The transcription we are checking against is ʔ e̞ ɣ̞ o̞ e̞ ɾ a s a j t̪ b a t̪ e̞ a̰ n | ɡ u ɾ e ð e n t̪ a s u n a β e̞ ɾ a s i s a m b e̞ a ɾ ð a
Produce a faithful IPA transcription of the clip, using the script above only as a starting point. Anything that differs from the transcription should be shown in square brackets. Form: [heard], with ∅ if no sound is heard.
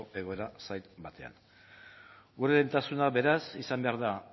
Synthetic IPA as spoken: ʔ e̞ ɣ̞ o̞ e̞ ɾ a s a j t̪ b a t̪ e̞ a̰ n | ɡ u ɾ e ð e n t̪ a s u n a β e̞ ɾ a s i s a m b e̞ a ɾ ð a